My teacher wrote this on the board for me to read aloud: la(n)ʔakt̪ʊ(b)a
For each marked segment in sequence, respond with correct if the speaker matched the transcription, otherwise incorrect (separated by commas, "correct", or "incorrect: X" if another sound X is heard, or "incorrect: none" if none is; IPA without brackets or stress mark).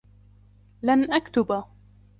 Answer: correct, correct